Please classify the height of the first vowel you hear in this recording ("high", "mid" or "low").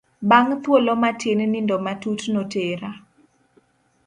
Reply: low